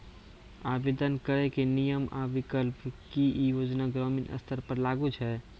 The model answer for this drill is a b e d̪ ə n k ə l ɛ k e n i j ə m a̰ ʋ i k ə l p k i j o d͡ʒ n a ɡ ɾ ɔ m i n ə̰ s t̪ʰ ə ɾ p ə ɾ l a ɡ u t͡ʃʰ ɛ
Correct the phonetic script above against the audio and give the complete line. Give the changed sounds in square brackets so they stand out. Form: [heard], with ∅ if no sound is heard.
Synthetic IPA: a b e d̪ ə n k ə [ɾ] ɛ k e n i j ə m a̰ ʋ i k ə l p k i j o d͡ʒ n a ɡ ɾ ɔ m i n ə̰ s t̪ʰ ə ɾ p ə ɾ l a ɡ u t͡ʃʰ ɛ